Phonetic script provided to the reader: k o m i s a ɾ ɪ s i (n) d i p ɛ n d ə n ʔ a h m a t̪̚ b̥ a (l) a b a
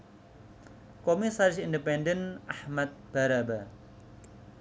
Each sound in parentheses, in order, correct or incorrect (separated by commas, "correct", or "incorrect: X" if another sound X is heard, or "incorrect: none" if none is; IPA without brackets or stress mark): correct, incorrect: ɾ